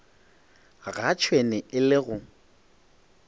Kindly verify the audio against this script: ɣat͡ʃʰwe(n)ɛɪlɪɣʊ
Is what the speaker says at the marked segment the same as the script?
yes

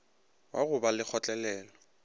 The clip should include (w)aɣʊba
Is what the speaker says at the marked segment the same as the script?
yes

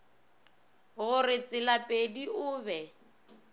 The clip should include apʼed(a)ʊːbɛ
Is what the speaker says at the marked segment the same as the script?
no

